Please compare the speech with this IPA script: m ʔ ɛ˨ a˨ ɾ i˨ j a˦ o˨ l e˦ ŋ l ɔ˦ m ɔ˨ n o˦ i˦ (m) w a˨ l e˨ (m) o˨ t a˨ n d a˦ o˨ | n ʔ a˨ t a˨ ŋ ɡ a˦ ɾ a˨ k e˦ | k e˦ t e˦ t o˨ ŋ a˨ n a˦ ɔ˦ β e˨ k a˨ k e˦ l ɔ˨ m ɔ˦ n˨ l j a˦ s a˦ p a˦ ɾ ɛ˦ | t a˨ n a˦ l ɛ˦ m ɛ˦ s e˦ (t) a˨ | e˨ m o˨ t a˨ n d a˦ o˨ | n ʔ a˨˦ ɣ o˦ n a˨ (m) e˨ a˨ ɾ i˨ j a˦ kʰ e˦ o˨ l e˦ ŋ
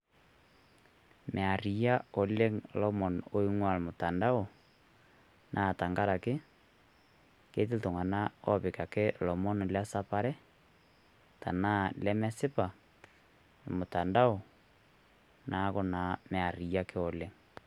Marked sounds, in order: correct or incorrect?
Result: incorrect: ŋ, correct, incorrect: p, correct

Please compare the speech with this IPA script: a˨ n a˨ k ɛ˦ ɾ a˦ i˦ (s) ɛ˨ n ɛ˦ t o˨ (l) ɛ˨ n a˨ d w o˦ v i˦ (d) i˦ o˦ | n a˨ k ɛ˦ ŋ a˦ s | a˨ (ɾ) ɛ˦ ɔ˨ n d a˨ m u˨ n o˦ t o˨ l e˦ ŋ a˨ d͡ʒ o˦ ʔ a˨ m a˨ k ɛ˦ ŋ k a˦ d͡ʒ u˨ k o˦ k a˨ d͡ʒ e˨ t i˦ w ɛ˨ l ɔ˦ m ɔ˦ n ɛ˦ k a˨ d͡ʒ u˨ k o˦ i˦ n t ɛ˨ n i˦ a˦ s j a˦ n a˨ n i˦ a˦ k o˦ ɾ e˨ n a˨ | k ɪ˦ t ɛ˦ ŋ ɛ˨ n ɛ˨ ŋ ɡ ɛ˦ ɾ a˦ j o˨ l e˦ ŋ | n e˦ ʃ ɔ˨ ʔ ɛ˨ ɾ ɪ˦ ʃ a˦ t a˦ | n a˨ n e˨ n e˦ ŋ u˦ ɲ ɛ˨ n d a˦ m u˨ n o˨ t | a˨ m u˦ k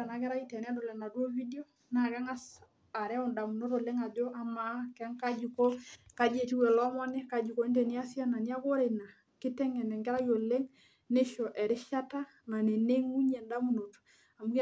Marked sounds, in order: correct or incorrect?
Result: incorrect: t, correct, correct, correct

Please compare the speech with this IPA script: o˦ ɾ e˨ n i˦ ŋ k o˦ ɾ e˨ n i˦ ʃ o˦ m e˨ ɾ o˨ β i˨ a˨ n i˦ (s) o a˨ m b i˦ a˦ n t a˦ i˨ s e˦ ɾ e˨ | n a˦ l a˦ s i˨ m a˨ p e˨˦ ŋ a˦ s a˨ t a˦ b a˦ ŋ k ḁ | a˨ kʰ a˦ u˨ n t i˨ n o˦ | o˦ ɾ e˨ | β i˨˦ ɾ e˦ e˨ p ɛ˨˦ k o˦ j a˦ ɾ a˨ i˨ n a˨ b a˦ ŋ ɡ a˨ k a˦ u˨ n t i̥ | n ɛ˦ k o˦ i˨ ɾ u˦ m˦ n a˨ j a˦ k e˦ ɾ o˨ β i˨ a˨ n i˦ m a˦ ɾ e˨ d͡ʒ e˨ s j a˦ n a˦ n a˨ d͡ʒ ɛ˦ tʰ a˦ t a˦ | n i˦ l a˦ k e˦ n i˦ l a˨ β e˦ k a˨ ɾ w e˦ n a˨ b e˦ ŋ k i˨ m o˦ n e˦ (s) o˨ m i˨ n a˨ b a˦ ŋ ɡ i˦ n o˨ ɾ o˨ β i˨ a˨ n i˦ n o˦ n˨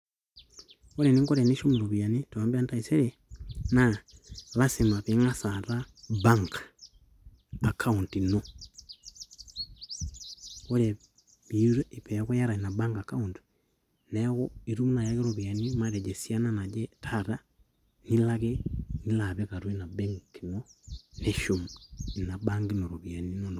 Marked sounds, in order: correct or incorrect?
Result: incorrect: t, incorrect: ʃ

